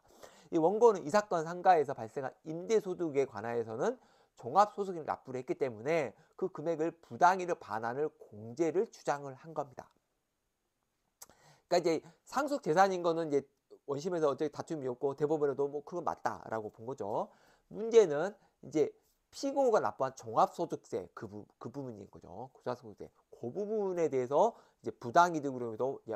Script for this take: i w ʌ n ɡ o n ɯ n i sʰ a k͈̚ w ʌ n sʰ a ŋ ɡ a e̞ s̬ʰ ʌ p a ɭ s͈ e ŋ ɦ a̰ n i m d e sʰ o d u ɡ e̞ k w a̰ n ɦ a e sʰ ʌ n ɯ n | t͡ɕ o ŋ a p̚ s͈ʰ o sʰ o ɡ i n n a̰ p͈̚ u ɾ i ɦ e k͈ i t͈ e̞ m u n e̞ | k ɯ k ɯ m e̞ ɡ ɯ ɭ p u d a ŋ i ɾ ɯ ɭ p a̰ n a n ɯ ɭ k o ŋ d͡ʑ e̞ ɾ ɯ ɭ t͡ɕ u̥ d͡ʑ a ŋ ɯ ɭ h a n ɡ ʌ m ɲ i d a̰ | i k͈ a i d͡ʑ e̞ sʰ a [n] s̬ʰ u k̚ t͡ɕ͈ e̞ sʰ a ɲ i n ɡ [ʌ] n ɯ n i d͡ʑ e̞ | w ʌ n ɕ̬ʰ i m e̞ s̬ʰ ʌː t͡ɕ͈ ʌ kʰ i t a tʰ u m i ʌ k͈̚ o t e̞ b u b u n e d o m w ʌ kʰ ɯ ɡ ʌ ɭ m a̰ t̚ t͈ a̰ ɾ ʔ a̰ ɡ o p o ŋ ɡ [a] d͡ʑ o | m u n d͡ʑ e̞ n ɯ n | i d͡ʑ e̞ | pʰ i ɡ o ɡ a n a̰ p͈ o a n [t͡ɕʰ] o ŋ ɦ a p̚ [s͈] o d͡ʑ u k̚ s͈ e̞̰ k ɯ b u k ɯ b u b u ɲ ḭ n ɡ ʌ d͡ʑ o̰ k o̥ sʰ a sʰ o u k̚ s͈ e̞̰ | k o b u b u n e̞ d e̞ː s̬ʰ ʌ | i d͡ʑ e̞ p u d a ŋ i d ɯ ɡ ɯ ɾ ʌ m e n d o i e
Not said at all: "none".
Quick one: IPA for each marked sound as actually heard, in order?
ŋ, ʌ, ʌ, t͡ɕ, s͈

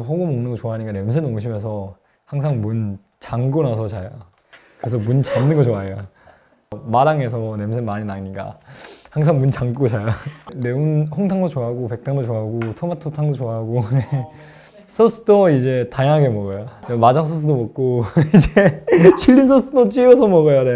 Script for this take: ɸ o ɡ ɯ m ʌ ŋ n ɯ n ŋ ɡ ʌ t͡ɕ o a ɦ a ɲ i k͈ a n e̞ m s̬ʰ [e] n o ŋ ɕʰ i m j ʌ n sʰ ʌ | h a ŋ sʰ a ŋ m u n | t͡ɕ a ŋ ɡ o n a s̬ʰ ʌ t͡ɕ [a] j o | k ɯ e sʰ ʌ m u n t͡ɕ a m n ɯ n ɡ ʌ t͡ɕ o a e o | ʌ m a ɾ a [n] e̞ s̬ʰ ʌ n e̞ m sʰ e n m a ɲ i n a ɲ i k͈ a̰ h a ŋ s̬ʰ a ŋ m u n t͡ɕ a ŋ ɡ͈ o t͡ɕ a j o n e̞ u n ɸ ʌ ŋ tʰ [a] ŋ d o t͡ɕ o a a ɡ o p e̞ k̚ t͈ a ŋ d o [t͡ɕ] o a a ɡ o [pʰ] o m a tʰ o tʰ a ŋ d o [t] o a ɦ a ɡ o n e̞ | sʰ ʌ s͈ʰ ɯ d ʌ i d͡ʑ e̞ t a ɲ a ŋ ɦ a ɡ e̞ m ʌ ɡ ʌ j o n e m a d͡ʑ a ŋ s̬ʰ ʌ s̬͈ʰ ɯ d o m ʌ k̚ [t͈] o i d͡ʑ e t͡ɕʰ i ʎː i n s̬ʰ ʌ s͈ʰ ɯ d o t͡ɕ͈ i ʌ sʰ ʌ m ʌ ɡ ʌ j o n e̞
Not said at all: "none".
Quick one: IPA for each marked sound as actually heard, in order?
e, a, ŋ, a, t͡ɕ, tʰ, t͡ɕ, k͈

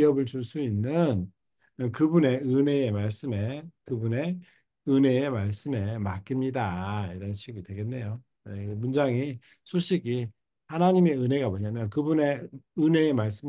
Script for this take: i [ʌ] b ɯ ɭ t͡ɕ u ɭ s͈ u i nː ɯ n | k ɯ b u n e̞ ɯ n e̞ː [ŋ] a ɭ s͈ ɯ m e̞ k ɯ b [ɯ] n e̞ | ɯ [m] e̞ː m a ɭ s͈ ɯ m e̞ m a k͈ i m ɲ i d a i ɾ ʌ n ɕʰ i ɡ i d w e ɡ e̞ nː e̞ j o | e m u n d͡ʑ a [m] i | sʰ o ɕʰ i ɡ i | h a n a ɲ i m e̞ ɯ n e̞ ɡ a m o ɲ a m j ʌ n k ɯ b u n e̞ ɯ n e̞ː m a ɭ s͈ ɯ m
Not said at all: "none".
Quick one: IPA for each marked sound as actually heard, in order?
ʌ, m, u, n, ŋ

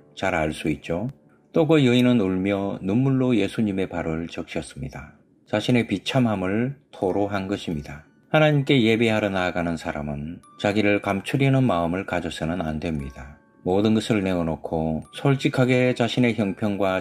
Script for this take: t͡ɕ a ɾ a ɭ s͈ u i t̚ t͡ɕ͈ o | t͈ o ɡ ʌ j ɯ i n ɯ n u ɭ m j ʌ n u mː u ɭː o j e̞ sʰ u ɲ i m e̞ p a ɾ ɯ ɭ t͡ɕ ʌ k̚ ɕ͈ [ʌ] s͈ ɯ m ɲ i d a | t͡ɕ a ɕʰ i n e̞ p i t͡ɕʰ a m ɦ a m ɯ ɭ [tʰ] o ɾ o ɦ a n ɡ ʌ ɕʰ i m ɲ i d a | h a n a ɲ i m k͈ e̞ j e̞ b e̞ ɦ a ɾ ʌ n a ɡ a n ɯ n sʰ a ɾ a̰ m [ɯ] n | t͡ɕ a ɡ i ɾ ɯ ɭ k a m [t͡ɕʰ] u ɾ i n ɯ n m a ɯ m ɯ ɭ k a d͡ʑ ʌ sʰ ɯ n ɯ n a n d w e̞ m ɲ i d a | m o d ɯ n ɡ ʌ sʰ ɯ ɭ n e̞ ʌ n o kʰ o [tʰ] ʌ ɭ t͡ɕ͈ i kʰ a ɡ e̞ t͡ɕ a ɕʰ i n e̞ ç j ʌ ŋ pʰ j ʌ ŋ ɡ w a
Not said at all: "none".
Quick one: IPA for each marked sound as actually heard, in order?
ʌ, tʰ, ɯ, t͡ɕʰ, sʰ

